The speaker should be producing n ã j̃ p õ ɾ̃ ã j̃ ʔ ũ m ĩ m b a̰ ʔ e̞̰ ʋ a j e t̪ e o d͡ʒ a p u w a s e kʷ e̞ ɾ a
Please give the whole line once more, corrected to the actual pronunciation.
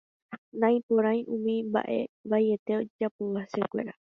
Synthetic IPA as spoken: n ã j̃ p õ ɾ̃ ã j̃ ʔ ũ m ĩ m b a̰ ʔ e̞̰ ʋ a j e t̪ e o d͡ʒ a p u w a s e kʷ e̞ ɾ a